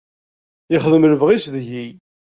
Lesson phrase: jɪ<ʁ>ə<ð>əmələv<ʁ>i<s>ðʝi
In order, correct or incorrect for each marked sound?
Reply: incorrect: χ, correct, correct, correct

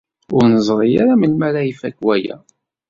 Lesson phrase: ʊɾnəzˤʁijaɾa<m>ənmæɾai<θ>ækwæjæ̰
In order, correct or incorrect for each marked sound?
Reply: correct, incorrect: f

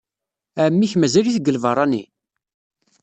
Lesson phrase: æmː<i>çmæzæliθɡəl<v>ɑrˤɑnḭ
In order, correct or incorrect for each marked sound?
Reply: correct, correct

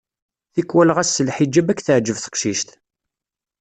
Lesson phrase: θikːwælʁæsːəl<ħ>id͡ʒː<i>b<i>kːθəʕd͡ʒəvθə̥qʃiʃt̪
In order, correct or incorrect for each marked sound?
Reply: correct, incorrect: æ, incorrect: æ

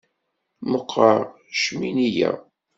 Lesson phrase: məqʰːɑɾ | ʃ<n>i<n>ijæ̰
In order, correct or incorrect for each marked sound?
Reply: incorrect: m, correct

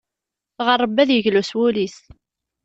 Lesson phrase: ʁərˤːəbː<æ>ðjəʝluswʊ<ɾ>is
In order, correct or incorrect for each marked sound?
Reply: correct, incorrect: l

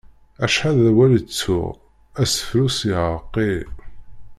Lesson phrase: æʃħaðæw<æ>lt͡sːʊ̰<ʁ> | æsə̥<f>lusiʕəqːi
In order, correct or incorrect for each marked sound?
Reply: correct, correct, correct

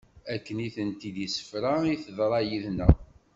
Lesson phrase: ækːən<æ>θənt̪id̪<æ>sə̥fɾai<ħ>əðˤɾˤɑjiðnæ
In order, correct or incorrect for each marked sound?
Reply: incorrect: i, incorrect: i, incorrect: θ

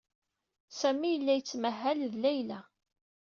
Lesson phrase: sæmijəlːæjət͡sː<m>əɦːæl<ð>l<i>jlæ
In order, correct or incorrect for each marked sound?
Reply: correct, correct, incorrect: æ

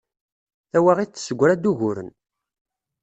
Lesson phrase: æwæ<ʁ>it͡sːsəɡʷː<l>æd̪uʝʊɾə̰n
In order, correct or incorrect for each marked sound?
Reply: correct, incorrect: ɾ

